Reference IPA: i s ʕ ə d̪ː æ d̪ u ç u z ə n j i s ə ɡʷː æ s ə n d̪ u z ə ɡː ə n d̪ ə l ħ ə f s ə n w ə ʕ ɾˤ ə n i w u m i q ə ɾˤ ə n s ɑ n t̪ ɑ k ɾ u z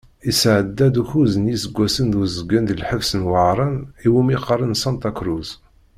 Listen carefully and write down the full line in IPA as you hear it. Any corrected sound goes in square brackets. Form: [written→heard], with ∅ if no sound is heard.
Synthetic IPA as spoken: i s ʕ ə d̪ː æ d̪ u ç u z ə n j i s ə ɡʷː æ s ə n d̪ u z ə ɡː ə n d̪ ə l ħ ə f s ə n w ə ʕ ɾˤ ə n i w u m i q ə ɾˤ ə n s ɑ n t̪ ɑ k ɾ u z